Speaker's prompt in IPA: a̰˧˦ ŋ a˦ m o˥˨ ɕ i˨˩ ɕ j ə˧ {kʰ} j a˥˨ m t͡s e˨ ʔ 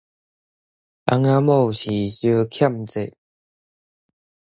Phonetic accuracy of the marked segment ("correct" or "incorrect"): correct